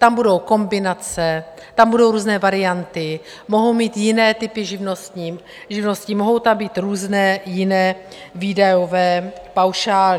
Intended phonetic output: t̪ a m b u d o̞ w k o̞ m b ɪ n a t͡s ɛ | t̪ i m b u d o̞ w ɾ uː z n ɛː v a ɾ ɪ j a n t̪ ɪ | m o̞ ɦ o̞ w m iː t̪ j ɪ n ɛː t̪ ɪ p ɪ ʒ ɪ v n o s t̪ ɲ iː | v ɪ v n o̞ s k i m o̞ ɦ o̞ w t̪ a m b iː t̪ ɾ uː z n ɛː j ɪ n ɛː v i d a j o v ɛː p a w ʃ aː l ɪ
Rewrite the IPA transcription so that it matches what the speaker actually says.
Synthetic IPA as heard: t̪ a m b u d o̞ w k o̞ m b ɪ n a t͡s ɛ | t̪ a m b u d o̞ w ɾ uː z n ɛː v a ɾ ɪ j a n t̪ ɪ | m o̞ ɦ o̞ w m iː t̪ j ɪ n ɛː t̪ ɪ p ɪ ʒ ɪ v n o s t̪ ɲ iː | ʒ ɪ v n o̞ s c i m o̞ ɦ o̞ w t̪ a m b iː t̪ ɾ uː z n ɛː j ɪ n ɛː v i d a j o v ɛː p a w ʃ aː l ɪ

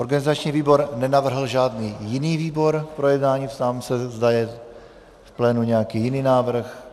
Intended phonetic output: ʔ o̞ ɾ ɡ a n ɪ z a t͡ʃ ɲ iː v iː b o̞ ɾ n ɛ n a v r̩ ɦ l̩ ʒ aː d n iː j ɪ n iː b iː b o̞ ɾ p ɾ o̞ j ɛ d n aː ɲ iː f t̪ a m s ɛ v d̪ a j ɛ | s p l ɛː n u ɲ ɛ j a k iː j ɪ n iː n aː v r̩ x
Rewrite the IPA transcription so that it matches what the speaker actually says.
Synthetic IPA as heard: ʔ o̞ ɾ ɡ a n ɪ z a t͡ʃ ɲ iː v iː b o̞ ɾ n ɛ n a v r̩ ɦ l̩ ʒ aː d n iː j ɪ n iː v iː b o̞ ɾ p ɾ o̞ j ɛ d n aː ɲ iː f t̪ a m s ɛ z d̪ a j ɛ | f p l ɛː n u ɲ ɛ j a k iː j ɪ n iː n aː v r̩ x

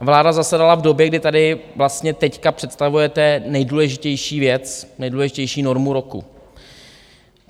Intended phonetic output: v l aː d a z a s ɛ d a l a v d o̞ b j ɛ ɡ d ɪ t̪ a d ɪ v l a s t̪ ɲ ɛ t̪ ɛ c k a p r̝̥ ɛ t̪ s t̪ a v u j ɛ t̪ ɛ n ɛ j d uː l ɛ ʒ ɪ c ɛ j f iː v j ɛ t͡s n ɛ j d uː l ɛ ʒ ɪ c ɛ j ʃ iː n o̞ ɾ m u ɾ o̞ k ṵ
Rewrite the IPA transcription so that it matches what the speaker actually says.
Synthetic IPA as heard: v l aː d a z a s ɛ d a l a v d o̞ b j ɛ ɡ d ɪ t̪ a d ɪ v l a s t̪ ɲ ɛ t̪ ɛ c k a p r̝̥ ɛ t̪ s t̪ a v u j ɛ t̪ ɛ n ɛ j d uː l ɛ ʒ ɪ c ɛ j ʃ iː v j ɛ t͡s n ɛ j d uː l ɛ ʒ ɪ c ɛ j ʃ iː n o̞ ɾ m u ɾ o̞ k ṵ

